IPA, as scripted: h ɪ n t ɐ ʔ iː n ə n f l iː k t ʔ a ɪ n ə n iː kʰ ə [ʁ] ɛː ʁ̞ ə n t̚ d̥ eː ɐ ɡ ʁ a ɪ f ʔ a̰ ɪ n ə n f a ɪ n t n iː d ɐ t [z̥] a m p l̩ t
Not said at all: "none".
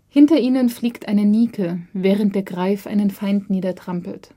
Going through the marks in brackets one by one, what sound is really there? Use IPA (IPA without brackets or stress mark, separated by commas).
v, ʁ̥